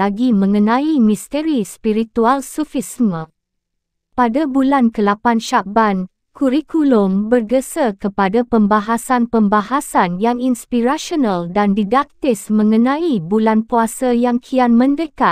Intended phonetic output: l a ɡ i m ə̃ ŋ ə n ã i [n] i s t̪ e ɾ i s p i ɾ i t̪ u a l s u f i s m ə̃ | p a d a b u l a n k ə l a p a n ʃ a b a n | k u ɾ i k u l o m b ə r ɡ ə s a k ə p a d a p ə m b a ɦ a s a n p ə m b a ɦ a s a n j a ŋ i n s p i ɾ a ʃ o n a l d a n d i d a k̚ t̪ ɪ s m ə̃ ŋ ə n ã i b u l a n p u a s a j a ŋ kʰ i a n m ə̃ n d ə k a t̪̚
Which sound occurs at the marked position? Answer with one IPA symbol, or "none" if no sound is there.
m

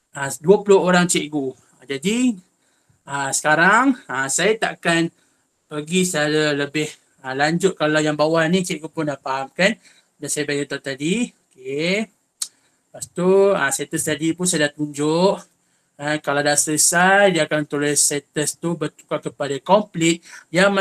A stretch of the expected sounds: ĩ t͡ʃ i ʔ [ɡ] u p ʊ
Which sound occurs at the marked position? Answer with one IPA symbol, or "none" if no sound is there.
ɡ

